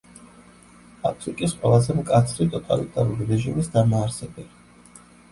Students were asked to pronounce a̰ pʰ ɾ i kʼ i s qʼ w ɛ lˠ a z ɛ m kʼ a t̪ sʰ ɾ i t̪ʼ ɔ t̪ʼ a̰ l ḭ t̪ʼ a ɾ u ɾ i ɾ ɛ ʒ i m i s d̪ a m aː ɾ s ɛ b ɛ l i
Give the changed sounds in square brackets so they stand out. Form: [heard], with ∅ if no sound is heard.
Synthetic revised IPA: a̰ pʰ ɾ i kʼ i s qʼ w ɛ lˠ a z ɛ m kʼ a t̪ sʰ ɾ i t̪ʼ ɔ t̪ʼ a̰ l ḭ t̪ʼ a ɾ u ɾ i ɾ ɛ ʒ i m i s d̪ a m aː ɾ s ɛ b ɛ l i

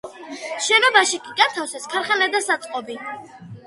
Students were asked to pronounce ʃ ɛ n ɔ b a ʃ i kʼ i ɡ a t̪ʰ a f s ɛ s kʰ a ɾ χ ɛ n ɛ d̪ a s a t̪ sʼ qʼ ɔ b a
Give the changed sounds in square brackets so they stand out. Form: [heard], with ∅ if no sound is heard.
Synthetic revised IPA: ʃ ɛ n ɔ b a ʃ i kʼ i ɡ a t̪ʰ a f s ɛ s kʰ a ɾ χ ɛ n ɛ d̪ a s a t̪ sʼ qʼ ɔ b [i]

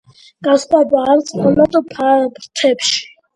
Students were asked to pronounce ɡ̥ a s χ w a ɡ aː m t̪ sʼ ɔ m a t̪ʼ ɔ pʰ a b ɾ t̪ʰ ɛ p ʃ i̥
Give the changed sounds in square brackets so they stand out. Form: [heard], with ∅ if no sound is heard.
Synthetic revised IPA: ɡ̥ a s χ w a [b] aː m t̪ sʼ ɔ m a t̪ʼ ɔ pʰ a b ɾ t̪ʰ ɛ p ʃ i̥

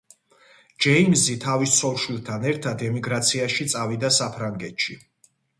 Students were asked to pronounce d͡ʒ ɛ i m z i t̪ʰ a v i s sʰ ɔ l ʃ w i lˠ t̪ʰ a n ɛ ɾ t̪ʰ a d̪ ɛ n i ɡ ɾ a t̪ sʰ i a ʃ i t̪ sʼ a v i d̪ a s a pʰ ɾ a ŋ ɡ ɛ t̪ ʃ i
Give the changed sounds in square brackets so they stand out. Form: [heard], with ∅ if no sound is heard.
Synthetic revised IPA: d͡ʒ ɛ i m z i t̪ʰ a v i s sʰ ɔ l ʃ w i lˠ t̪ʰ a n ɛ ɾ t̪ʰ a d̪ ɛ [m] i ɡ ɾ a t̪ sʰ i a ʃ i t̪ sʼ a v i d̪ a s a pʰ ɾ a ŋ ɡ ɛ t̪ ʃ i

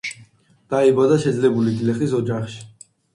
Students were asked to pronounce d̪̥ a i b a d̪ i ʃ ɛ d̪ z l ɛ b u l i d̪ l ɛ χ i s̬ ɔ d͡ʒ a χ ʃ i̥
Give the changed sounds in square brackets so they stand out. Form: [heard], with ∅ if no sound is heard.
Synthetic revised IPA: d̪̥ a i b a d̪ [a] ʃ ɛ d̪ z l ɛ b u l i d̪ l ɛ χ i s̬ ɔ d͡ʒ a χ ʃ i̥

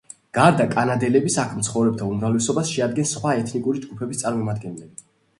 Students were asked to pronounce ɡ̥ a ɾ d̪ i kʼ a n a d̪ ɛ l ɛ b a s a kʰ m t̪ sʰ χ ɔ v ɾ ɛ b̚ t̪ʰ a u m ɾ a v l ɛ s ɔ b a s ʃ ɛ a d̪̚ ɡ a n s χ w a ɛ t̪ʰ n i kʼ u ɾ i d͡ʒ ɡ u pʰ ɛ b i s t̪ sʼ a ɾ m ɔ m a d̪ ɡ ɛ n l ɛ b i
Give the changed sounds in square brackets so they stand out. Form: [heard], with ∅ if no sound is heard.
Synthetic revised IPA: ɡ̥ a ɾ d̪ [a] kʼ a n a d̪ ɛ l ɛ b [i] s a kʰ m t̪ sʰ χ ɔ v ɾ ɛ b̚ t̪ʰ a u m ɾ a v l ɛ s ɔ b a s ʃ ɛ a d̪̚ ɡ [ɛ] n s χ w a ɛ t̪ʰ n i kʼ u ɾ i d͡ʒ ɡ u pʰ ɛ b i s t̪ sʼ a ɾ m ɔ m a d̪ ɡ ɛ n l ɛ b i

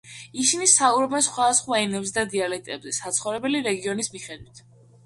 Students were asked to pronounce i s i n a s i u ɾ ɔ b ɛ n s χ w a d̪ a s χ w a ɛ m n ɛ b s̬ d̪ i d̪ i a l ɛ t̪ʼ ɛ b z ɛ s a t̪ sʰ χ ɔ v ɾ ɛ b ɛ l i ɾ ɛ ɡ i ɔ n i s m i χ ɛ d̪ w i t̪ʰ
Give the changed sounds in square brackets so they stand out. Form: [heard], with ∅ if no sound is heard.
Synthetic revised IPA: i s i n [i] s [a] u ɾ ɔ b ɛ n s χ w a d̪ a s χ w a ɛ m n ɛ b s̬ d̪ [a] d̪ i a l ɛ t̪ʼ ɛ b z ɛ s a t̪ sʰ χ ɔ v ɾ ɛ b ɛ l i ɾ ɛ ɡ i ɔ n i s m i χ ɛ d̪ w i t̪ʰ

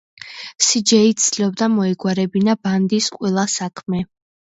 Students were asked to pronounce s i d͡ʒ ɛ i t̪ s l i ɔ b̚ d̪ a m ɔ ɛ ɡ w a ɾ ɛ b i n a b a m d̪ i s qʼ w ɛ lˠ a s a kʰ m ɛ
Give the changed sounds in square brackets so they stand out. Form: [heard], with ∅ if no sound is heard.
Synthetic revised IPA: s i d͡ʒ ɛ i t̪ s l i ɔ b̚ d̪ a m ɔ ɛ ɡ w a ɾ ɛ b i n a b a [n] d̪ i s qʼ w ɛ lˠ a s a kʰ m ɛ

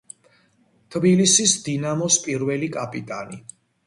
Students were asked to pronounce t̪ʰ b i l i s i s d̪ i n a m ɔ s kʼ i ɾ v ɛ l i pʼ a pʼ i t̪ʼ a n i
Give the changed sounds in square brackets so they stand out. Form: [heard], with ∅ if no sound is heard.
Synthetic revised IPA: t̪ʰ b i l i s i s d̪ i n a m ɔ s [pʼ] i ɾ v ɛ l i [kʼ] a pʼ i t̪ʼ a n i

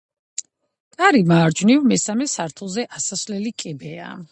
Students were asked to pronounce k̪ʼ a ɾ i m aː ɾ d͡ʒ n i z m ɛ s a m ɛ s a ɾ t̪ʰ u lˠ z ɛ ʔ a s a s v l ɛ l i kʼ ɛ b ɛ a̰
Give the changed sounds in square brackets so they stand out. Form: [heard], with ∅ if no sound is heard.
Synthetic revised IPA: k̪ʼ a ɾ i m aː ɾ d͡ʒ n i [v] m ɛ s a m ɛ s a ɾ t̪ʰ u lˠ z ɛ ʔ a s a s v l ɛ l i kʼ ɛ b ɛ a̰

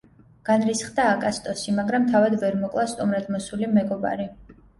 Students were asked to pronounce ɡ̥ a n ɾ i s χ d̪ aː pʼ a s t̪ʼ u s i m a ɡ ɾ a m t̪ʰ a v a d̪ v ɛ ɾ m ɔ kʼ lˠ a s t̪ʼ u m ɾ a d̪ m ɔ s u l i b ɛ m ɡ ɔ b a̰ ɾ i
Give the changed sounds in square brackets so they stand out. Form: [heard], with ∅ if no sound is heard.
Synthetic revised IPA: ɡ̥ a n ɾ i s χ d̪ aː [kʼ] a s t̪ʼ [ɔ] s i m a ɡ ɾ a m t̪ʰ a v a d̪ v ɛ ɾ m ɔ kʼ lˠ a s t̪ʼ u m ɾ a d̪ m ɔ s u l i [m] ɛ [∅] ɡ ɔ b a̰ ɾ i

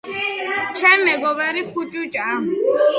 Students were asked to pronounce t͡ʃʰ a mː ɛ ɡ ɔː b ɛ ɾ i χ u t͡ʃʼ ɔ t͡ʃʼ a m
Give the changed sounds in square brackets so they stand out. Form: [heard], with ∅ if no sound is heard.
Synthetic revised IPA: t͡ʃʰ [ɛ] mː ɛ ɡ [ɔ] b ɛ ɾ i χ u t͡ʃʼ [u] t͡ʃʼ a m

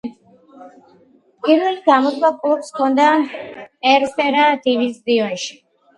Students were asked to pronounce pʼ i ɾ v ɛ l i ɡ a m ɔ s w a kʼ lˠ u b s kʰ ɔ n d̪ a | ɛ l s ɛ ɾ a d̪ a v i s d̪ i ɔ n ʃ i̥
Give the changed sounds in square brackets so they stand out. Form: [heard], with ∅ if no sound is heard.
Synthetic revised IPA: pʼ i ɾ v ɛ l i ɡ a m ɔ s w a kʼ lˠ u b s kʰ ɔ n d̪ a | ɛ [ɾ] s ɛ ɾ a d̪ [i] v i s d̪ i ɔ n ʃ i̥

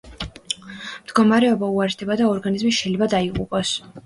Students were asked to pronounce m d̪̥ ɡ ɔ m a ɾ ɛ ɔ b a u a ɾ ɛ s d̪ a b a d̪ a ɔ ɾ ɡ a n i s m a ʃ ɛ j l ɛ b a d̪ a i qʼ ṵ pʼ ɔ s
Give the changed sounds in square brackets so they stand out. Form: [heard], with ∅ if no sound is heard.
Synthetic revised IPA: m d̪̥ ɡ ɔ m a ɾ ɛ ɔ b a u a ɾ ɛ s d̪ [ɛ] b a d̪ a ɔ ɾ ɡ a n i [z] m [i] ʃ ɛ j l ɛ b a d̪ a i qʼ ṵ pʼ ɔ s

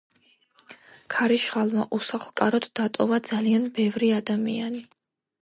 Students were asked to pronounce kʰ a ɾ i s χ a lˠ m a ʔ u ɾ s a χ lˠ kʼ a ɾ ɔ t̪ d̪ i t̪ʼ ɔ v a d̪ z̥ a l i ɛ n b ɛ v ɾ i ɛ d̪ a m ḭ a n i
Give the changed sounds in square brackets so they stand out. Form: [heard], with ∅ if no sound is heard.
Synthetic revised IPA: kʰ a ɾ i [ʃ] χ a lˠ m a ʔ u [∅] s a χ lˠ kʼ a ɾ ɔ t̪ d̪ [a] t̪ʼ ɔ v a d̪ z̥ a l i [a] n b ɛ v ɾ i [a] d̪ a m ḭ a n i

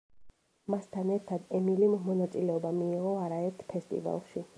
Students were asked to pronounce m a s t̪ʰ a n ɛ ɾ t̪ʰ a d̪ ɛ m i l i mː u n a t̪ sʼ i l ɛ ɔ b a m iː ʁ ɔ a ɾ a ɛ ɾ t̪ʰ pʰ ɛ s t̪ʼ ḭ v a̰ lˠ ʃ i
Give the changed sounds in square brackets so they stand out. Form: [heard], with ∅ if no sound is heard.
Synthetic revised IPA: m a s t̪ʰ a n ɛ ɾ t̪ʰ a d̪ ɛ m i l i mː [ɔ] n a t̪ sʼ i l ɛ ɔ b a m iː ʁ ɔ a ɾ a ɛ ɾ t̪ʰ pʰ ɛ s t̪ʼ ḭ v a̰ lˠ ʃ i

